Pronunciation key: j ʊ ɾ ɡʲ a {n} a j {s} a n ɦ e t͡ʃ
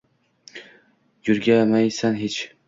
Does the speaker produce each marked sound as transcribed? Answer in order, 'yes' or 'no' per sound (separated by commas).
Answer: no, yes